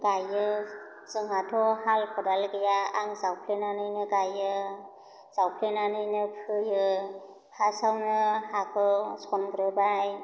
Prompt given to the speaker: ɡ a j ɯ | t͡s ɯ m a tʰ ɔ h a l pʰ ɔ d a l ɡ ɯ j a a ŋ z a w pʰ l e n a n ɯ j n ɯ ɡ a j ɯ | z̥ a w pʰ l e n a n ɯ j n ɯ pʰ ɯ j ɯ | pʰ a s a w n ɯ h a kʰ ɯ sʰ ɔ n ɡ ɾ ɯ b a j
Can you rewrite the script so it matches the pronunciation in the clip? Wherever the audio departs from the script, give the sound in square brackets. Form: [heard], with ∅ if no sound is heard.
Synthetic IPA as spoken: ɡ a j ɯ | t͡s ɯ [ŋ] a tʰ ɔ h a l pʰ ɔ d a l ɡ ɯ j a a ŋ z a w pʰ l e n a n ɯ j n ɯ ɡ a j ɯ | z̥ a w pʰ l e n a n ɯ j n ɯ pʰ ɯ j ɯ | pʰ a s a w n ɯ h a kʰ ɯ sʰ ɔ n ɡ ɾ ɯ b a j